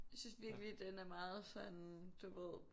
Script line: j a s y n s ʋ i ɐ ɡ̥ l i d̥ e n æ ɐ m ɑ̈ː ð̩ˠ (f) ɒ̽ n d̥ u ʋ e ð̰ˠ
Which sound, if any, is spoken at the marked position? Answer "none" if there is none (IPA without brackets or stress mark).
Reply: s